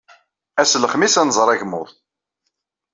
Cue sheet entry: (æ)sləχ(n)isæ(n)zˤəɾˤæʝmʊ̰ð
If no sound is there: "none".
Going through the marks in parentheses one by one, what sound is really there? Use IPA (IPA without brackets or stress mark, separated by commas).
æ, m, n